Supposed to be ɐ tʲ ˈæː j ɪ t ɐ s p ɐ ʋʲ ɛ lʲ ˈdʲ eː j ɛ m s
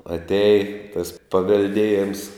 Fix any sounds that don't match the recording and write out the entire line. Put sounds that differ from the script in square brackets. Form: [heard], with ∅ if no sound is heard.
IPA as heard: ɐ tʲ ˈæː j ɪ t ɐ s p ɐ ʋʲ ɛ lʲ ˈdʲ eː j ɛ m s

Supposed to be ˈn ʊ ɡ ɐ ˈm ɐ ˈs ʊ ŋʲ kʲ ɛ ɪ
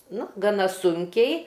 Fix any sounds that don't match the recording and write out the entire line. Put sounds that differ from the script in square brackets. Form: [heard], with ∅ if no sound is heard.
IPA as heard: ˈn ʊ ɡ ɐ [ˈn] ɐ ˈs ʊ ŋʲ kʲ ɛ ɪ

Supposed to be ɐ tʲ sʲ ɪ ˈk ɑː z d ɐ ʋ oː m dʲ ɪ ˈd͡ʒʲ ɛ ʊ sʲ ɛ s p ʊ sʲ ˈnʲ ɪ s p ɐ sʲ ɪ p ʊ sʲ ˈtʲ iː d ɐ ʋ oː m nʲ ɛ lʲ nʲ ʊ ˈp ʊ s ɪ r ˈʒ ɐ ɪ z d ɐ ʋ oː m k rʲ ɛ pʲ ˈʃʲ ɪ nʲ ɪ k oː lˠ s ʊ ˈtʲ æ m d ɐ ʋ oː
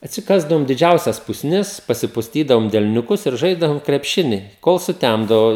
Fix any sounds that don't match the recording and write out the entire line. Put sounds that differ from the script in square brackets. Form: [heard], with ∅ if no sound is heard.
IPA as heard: ɐ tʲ sʲ ɪ ˈk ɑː z d ɐ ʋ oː m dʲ ɪ ˈd͡ʒʲ ɛ ʊ sʲ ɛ s p ʊ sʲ ˈnʲ ɪ s p ɐ sʲ ɪ p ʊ sʲ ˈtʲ iː d ɐ ʋ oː m [dʲ] ɛ lʲ nʲ ʊ [ˈk] ʊ s ɪ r ˈʒ ɐ ɪ z d ɐ ʋ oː m k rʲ ɛ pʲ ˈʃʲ ɪ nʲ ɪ k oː lˠ s ʊ ˈtʲ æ m d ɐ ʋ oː

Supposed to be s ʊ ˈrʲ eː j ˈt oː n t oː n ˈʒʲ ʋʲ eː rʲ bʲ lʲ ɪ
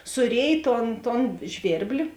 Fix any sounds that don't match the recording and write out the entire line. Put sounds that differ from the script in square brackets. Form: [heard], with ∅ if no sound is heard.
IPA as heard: s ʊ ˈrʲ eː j ˈt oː n t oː n ˈʒʲ ʋʲ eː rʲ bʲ lʲ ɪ

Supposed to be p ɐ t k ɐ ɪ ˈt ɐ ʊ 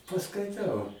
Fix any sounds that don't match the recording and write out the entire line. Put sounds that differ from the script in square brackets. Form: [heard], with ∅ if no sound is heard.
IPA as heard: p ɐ [s] k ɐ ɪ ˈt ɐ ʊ

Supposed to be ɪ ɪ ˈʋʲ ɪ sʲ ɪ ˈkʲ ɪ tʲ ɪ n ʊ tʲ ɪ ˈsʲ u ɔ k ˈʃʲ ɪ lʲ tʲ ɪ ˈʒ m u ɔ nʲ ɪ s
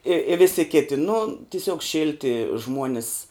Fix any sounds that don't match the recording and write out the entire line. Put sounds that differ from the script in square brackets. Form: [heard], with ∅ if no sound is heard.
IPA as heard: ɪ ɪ ˈʋʲ ɪ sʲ ɪ ˈkʲ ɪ tʲ ɪ n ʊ tʲ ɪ ˈsʲ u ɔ k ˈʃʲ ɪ lʲ tʲ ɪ ˈʒ m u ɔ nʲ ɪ s

